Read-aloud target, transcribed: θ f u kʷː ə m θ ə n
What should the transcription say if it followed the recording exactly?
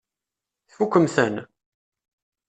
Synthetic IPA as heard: θ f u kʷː ə m θ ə n